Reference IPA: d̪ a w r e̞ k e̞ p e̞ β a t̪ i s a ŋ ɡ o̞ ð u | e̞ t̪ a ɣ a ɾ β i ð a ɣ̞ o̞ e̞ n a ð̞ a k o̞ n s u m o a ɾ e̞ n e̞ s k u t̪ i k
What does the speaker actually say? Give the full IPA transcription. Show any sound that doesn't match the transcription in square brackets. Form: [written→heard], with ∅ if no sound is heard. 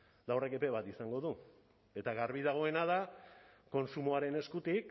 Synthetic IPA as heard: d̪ a w r e̞ k e̞ p e̞ β a t̪ i s a ŋ ɡ o̞ ð u | e̞ t̪ a ɣ a ɾ β i ð a ɣ̞ o̞ e̞ n a ð̞ a k o̞ n s u m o a ɾ e̞ n e̞ s k u t̪ i k